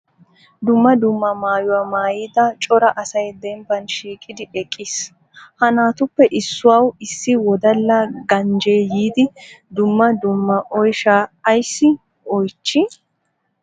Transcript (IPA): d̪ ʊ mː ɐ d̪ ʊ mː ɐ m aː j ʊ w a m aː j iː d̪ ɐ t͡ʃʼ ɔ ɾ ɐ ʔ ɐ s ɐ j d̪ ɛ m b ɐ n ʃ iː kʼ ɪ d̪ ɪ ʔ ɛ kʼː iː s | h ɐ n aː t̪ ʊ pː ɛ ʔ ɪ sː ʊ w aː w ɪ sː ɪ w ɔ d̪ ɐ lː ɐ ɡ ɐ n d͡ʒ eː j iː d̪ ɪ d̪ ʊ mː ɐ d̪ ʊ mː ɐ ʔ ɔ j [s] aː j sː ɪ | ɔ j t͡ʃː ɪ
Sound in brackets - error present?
yes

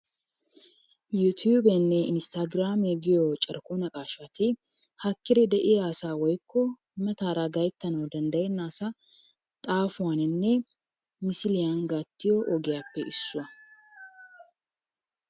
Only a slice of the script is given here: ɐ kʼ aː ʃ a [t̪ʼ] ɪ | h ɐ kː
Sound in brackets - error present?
yes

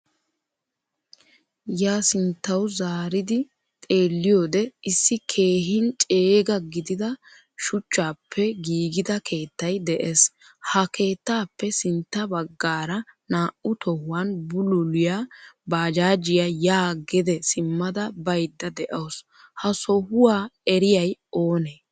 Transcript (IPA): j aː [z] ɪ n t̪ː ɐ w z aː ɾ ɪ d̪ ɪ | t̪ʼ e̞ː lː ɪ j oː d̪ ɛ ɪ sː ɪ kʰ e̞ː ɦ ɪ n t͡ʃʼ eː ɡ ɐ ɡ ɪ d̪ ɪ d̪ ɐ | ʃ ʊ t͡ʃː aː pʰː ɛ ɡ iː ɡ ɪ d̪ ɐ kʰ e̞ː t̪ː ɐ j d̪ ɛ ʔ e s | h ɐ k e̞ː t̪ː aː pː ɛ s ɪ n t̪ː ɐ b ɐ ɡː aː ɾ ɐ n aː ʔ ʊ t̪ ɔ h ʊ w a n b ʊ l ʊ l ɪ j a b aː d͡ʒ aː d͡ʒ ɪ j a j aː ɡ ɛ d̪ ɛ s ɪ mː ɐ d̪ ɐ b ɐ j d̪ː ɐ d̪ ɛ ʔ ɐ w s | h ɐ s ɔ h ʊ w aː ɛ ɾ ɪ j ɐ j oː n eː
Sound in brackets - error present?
yes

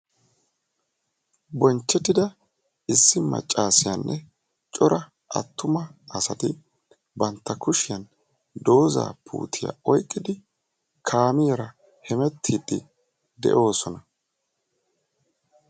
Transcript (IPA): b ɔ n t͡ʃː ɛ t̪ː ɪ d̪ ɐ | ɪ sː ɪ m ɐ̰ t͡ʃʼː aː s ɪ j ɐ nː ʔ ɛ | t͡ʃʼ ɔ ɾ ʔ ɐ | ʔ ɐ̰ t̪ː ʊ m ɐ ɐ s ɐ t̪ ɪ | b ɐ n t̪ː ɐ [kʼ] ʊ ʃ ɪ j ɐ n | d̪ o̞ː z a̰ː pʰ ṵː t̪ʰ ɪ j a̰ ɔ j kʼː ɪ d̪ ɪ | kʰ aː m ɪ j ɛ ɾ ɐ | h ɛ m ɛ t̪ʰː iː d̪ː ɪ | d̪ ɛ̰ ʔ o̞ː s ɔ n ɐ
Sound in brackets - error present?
yes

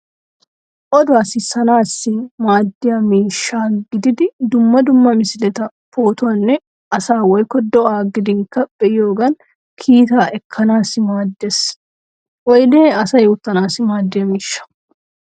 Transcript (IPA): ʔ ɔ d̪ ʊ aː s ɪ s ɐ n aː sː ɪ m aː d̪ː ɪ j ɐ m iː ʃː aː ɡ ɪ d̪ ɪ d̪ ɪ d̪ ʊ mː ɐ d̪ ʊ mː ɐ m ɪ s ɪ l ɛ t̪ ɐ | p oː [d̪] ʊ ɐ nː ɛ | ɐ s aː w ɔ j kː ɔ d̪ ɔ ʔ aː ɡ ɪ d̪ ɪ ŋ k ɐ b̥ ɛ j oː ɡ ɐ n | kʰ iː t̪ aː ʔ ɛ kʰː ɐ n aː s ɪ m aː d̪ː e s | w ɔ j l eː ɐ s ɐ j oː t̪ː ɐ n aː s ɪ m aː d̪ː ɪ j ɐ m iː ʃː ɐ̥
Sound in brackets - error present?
yes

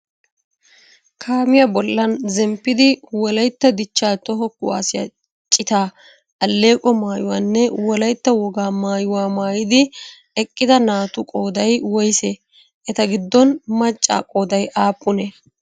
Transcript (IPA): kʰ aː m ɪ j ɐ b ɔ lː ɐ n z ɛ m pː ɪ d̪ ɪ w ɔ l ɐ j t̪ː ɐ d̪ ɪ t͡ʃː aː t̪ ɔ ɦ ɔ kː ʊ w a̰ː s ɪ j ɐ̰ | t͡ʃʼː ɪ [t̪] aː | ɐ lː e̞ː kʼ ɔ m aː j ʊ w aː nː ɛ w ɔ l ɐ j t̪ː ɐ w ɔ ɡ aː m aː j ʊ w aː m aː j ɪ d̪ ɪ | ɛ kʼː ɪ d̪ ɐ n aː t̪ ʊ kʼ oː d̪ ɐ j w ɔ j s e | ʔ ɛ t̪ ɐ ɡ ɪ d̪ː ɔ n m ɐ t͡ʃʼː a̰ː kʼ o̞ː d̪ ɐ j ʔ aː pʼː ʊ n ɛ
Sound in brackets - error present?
no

